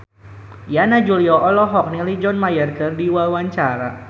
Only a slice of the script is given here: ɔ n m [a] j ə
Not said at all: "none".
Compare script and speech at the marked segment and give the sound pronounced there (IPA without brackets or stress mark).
a